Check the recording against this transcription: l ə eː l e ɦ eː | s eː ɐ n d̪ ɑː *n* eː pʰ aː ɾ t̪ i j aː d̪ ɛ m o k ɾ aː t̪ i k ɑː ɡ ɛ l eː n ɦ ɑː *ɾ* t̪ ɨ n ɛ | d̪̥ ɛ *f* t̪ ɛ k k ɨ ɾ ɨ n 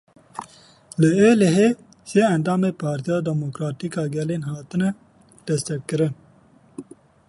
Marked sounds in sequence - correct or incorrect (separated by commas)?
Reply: incorrect, incorrect, incorrect